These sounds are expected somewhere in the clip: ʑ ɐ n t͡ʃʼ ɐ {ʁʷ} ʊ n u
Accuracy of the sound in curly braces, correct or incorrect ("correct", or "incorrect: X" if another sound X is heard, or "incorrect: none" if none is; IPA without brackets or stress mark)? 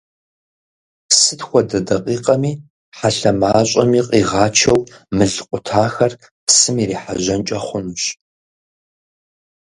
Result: incorrect: χʷ